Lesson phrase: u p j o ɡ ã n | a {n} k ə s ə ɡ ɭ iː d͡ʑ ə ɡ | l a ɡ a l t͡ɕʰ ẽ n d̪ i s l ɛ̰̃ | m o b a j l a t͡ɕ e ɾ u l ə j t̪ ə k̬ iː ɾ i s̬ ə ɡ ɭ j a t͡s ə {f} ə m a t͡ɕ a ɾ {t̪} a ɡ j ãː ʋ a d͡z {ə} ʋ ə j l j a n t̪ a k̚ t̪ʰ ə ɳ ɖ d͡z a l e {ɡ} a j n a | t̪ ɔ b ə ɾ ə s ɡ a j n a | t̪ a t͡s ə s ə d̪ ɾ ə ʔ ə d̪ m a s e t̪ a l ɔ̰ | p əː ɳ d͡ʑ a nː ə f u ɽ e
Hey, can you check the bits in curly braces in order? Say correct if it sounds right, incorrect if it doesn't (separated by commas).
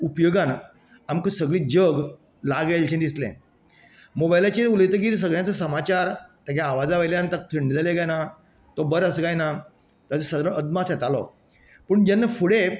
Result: incorrect, incorrect, correct, incorrect, correct